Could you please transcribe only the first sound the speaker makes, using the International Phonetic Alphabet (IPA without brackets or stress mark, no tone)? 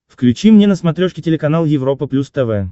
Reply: f